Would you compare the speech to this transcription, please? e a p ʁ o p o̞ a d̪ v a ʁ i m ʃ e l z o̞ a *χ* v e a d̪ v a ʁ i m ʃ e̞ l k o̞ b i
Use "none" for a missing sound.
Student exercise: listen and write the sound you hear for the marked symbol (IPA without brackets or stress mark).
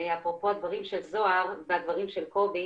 ʁ